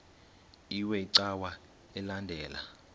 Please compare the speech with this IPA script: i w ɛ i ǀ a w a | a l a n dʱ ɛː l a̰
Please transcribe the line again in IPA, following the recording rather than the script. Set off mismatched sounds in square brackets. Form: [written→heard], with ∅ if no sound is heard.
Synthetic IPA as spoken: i w ɛ i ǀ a w a | [a→ɛ] l a n dʱ ɛː l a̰